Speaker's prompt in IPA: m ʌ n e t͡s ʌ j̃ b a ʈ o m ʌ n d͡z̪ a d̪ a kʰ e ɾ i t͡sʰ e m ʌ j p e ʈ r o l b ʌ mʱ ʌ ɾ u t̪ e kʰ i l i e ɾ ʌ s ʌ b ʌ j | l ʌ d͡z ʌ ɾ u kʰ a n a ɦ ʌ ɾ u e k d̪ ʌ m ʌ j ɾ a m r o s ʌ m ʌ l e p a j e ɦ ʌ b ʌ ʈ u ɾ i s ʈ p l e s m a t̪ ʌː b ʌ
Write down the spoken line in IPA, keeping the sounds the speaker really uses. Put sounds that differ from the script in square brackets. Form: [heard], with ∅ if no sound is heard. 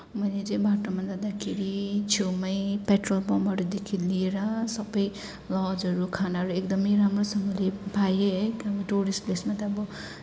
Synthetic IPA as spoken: m ʌ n e t͡s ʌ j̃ b a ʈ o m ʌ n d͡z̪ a d̪ a kʰ e ɾ i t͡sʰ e m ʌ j p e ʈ r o l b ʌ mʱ ʌ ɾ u [d̪] e kʰ i l i e ɾ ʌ s ʌ b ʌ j | l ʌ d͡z ʌ ɾ u kʰ a n a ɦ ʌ ɾ u e k d̪ ʌ m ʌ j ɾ a m r o s ʌ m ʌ l e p a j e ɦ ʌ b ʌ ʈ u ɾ i s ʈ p l e s m a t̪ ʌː b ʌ